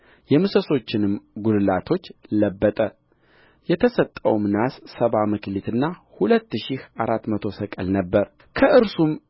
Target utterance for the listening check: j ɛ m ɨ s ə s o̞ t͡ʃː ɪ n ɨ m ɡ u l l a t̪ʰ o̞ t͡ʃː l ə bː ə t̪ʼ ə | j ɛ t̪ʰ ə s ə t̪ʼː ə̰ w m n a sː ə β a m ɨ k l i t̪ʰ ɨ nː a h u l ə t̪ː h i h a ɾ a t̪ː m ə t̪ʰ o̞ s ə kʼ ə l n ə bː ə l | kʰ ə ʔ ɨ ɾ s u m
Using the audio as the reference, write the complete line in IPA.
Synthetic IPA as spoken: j ɛ m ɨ s ə s o̞ t͡ʃː ɪ n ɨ m ɡ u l l a t̪ʰ o̞ t͡ʃː l ə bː ə t̪ʼ ə | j ɛ t̪ʰ ə s ə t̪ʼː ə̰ w m n a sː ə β a m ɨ k l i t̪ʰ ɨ nː a h u l ə t̪ː ʃ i h a ɾ a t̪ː m ə t̪ʰ o̞ s ə kʼ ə l n ə bː ə ɾ | kʰ ə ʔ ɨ ɾ s u m

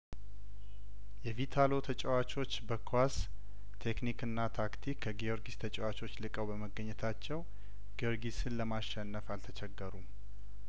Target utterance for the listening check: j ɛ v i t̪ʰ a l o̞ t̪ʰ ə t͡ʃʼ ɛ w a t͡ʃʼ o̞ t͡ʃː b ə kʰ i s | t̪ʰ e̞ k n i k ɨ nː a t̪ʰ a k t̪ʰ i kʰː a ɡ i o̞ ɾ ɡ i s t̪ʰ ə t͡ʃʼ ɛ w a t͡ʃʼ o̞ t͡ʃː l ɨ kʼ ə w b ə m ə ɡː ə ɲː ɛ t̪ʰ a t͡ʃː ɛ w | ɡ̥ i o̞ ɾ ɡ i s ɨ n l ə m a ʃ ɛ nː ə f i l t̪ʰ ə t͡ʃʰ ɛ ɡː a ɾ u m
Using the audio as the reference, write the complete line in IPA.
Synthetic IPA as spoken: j ɛ v i t̪ʰ a l o̞ t̪ʰ ə t͡ʃʼ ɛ w a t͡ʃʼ o̞ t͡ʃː b ə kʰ a s | t̪ʰ e̞ k n i k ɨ nː a t̪ʰ a k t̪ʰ i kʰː ə ɡ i o̞ ɾ ɡ i s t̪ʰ ə t͡ʃʼ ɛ w a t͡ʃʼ o̞ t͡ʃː l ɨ kʼ ə w b ə m ə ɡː ə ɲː ɛ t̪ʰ a t͡ʃː ɛ w | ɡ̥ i o̞ ɾ ɡ i s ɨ n l ə m a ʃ ɛ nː ə f a l t̪ʰ ə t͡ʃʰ ɛ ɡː ə ɾ u m

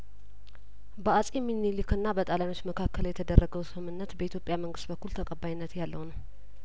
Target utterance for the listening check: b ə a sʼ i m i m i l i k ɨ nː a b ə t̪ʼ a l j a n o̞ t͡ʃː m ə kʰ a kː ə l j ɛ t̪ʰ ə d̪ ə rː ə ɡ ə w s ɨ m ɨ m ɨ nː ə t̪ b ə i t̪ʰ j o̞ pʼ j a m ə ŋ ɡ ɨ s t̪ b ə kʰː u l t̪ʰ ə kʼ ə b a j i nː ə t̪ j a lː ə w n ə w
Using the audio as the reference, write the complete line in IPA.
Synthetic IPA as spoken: b ə a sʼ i m i n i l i k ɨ nː a b ə t̪ʼ a l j a n o̞ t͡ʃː m ə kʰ a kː ə l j ɛ t̪ʰ ə d̪ ə rː ə ɡ ə w s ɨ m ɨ m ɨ nː ə t̪ b ə i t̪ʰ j o̞ pʼ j a m ə ŋ ɡ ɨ s t̪ b ə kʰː u l t̪ʰ ə kʼ ə b a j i nː ə t̪ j a lː ə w n ə w

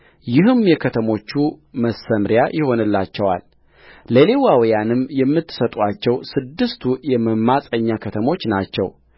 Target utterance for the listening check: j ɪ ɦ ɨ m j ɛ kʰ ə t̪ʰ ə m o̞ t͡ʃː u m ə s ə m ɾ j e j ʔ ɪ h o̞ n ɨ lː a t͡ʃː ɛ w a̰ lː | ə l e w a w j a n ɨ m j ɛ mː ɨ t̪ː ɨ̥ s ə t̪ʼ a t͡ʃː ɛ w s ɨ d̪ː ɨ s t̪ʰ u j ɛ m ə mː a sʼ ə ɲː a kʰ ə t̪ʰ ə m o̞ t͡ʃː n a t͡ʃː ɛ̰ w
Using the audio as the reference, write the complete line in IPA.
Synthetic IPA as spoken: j ɪ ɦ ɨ m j ɛ kʰ ə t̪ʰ ə m o̞ t͡ʃː u m ə s ə m ɾ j a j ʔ ɪ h o̞ n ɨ lː a t͡ʃː ɛ w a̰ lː | ə l e w a w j a n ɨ m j ɛ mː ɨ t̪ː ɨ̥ s ə t̪ʼ a t͡ʃː ɛ w s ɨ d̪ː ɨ s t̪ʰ u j ɛ m ə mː a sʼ ə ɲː a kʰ ə t̪ʰ ə m o̞ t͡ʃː n a t͡ʃː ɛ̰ w

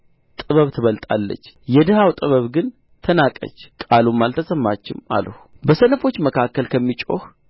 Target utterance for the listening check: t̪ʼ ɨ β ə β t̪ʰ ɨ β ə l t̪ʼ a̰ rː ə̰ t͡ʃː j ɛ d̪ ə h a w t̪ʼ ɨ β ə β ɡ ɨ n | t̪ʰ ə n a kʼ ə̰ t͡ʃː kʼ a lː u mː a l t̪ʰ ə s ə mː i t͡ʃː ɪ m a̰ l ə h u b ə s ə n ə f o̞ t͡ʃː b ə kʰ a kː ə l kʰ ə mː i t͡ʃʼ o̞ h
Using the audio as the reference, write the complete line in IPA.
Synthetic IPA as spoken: t̪ʼ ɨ β ə β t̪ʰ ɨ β ə l t̪ʼ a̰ lː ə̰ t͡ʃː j ɛ d̪ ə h a w t̪ʼ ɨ β ə β ɡ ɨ n | t̪ʰ ə n a kʼ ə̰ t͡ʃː kʼ a l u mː a l t̪ʰ ə s ə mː a t͡ʃː ɪ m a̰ l ə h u b ə s ə n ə f o̞ t͡ʃː m ə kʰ a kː ə l kʰ ə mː i t͡ʃʼ o̞ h

